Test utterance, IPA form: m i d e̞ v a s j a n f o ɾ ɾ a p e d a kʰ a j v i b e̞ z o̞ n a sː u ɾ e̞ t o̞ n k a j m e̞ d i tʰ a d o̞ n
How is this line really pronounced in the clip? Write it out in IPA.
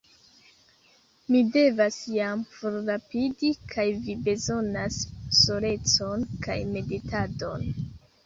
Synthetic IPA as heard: m i d e̞ v a s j a m f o ɾ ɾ a p i d i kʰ a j v i b e̞ z o̞ n a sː o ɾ e̞ t͡s o̞ n k a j m e̞ d i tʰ a d o̞ n

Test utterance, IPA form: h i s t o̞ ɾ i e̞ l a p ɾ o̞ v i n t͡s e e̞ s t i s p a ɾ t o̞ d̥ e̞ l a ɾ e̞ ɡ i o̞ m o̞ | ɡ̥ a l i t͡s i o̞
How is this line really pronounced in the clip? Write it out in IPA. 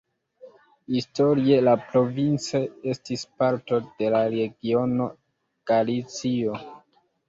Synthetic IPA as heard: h i s t o̞ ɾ i e̞ l a p ɾ o̞ v i n t͡s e e̞ s t i s p a ɾ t o̞ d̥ e̞ l a ɾ e̞ ɡ i o̞ n o̞ | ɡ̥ a l i t͡s i o̞

